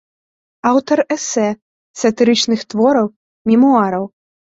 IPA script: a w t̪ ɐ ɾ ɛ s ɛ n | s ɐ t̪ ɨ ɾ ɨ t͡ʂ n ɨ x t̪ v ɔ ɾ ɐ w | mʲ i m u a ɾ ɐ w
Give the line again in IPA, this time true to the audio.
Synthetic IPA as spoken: a w t̪ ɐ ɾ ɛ s ɛ | s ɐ t̪ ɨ ɾ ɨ t͡ʂ n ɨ x t̪ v ɔ ɾ ɐ w | mʲ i m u a ɾ ɐ w